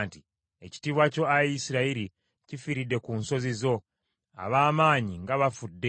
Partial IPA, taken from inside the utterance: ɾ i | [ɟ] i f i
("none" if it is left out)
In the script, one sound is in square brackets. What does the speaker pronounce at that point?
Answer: c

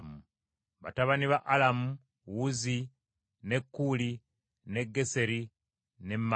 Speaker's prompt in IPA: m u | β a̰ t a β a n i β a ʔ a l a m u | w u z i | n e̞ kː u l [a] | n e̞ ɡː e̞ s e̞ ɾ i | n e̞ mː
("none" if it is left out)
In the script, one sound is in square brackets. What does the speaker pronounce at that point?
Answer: i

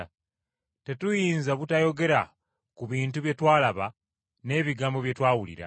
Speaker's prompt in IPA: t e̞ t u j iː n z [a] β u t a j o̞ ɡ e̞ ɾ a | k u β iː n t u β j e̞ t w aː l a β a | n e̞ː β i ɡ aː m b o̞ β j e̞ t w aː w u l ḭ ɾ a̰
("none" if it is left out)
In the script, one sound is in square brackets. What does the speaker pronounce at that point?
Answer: a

